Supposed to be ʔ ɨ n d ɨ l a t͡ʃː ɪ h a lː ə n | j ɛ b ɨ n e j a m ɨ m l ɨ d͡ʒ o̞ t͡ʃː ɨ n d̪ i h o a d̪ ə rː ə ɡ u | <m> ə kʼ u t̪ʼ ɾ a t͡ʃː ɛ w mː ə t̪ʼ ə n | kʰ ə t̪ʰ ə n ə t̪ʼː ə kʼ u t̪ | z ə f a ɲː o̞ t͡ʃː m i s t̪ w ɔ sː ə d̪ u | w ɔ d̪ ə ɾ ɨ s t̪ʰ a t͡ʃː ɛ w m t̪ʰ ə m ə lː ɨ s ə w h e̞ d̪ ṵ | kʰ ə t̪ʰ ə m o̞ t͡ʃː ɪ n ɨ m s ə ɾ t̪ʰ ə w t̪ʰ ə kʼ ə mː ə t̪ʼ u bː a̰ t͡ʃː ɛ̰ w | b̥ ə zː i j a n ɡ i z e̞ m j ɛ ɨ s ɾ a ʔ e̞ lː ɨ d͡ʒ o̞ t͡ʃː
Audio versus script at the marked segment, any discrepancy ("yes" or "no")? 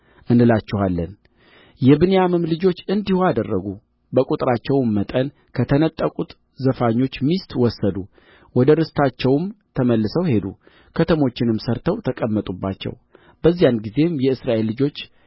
yes